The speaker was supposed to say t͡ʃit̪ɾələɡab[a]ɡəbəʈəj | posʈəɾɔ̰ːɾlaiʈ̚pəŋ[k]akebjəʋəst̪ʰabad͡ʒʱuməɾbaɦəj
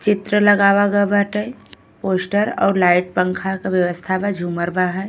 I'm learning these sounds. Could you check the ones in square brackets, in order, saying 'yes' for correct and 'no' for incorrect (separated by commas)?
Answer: yes, no